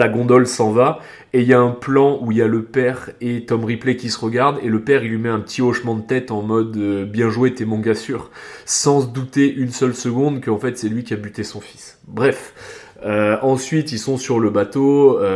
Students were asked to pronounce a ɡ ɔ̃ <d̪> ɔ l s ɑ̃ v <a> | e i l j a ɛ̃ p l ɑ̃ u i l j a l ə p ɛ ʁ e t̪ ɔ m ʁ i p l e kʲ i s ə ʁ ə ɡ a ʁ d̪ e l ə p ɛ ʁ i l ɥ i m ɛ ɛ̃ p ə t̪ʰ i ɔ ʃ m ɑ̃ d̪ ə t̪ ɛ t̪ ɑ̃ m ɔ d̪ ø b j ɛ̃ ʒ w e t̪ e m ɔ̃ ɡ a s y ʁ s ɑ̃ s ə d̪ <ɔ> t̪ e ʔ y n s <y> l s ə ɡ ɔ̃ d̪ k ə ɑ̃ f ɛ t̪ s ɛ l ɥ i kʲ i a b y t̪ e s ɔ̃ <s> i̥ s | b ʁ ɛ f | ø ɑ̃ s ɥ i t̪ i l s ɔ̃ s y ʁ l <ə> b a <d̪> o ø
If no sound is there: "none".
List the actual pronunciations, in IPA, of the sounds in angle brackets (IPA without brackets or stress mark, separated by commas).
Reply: d̪, a, u, œ, f, ə, t̪